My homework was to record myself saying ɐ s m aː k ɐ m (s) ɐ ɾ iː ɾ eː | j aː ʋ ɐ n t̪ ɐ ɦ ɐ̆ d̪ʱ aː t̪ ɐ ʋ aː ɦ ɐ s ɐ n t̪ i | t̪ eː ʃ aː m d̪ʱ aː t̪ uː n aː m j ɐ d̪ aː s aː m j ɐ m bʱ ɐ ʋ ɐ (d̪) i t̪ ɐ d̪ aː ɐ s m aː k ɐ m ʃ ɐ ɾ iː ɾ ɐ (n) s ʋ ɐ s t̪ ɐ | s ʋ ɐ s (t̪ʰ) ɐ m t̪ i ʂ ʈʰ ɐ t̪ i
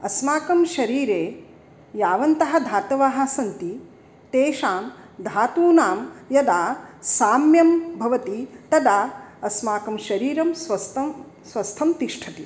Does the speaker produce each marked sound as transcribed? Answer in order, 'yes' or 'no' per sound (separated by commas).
no, no, no, yes